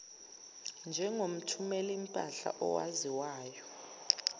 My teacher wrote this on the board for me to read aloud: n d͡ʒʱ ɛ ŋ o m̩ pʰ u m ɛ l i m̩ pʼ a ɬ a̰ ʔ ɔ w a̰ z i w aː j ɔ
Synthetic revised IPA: n d͡ʒʱ ɛ ŋ o m̩ tʰ u m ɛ l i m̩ pʼ a ɬ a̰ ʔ ɔ w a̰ z i w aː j ɔ